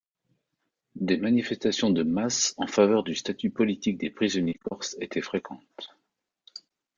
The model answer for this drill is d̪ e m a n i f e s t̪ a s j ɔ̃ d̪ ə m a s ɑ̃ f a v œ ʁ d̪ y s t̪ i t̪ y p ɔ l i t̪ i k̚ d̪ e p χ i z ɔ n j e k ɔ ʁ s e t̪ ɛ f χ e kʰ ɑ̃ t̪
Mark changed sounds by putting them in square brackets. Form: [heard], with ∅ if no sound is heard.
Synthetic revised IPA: d̪ e m a n i f [ɛ] s t̪ a s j ɔ̃ d̪ ə m a s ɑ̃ f a v œ ʁ d̪ y s t̪ [a] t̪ y p ɔ l i t̪ i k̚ d̪ e p χ i z ɔ n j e k ɔ ʁ s e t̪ ɛ f χ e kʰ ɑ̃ t̪